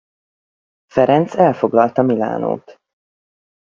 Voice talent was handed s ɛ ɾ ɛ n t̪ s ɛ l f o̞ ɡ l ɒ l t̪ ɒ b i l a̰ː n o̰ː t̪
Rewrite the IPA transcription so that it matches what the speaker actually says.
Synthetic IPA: f ɛ ɾ ɛ n t̪ s ɛ l f o̞ ɡ l ɒ l t̪ ɒ m i l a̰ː n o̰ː t̪